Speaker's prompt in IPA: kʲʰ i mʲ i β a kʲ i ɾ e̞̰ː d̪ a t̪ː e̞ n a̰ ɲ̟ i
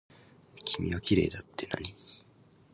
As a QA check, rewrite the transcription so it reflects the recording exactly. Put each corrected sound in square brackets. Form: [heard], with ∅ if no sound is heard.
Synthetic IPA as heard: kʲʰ i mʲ i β a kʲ i ɾ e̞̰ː d̪ a t̪ː e̞ n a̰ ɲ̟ i